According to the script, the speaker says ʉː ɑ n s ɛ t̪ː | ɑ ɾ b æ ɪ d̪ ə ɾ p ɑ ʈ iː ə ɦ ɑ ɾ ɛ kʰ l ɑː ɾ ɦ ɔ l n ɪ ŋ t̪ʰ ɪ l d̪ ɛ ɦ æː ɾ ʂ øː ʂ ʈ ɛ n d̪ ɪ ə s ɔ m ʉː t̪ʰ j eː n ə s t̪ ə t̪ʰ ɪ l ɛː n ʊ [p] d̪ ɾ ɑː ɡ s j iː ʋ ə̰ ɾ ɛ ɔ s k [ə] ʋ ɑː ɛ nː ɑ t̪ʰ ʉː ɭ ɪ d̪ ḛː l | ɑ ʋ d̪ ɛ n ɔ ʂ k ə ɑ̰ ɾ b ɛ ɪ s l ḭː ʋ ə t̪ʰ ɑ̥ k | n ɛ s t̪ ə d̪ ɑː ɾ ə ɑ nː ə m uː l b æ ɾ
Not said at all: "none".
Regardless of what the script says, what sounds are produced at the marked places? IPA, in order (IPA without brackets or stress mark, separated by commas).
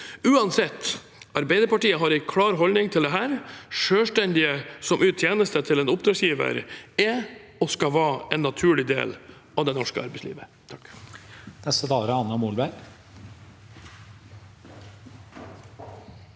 p, ɑ